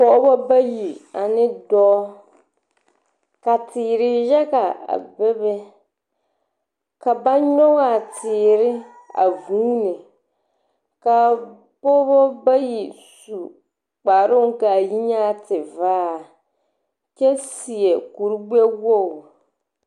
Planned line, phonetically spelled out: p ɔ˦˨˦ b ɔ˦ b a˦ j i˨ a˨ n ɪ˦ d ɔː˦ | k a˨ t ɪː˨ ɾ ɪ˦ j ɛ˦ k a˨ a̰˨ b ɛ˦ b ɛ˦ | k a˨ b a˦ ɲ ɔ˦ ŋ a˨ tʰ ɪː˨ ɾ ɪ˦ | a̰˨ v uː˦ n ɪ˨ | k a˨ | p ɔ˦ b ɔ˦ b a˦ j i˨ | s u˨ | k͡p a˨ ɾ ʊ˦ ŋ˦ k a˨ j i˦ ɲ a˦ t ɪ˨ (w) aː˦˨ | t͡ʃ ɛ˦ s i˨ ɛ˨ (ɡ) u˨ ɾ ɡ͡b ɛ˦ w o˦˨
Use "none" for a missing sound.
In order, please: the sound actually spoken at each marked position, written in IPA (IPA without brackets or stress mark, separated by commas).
v, k